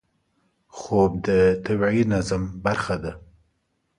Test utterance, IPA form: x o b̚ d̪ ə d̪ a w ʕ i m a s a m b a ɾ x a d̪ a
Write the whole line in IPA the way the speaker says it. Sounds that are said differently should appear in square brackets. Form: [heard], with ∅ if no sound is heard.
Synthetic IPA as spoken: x o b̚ d̪ ə [t̪] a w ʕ i [n] a [z] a m b a ɾ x a d̪ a